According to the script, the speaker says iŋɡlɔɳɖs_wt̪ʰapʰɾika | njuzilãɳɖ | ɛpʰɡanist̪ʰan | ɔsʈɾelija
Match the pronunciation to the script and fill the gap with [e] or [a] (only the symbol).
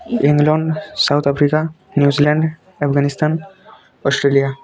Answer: a